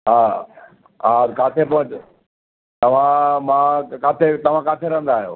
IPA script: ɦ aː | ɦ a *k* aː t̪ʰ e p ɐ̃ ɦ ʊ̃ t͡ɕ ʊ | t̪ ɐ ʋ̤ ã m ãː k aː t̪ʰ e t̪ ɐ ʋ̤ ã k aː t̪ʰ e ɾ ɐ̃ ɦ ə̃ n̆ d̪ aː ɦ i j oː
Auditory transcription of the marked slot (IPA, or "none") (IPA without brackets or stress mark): k